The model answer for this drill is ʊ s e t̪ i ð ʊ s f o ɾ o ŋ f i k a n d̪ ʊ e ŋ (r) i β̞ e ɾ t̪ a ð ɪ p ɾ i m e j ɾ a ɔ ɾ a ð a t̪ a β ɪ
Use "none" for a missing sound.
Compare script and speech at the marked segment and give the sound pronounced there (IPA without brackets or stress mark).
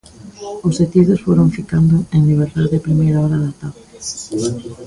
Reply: l